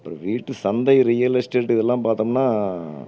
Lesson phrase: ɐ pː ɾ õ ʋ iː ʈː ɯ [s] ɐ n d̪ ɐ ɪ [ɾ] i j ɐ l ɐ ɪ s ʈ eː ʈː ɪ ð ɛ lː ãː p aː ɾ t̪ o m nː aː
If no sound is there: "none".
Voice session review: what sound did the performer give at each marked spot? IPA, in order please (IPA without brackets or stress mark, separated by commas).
s, ɾ